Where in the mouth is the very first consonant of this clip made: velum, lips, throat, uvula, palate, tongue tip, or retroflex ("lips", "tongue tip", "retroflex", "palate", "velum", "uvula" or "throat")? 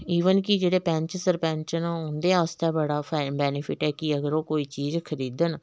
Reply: lips